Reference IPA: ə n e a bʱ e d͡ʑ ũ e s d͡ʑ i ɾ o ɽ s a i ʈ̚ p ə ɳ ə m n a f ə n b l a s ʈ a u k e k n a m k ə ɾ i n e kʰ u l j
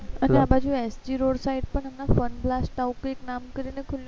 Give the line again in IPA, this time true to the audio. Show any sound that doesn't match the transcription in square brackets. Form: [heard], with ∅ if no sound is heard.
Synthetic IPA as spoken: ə n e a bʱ [a] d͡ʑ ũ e s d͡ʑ i ɾ o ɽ s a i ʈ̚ p ə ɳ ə m n a f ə n b l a s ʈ a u k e k n a m k ə ɾ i n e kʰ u l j